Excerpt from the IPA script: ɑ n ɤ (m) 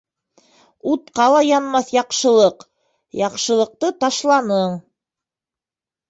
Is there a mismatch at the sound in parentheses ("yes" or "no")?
yes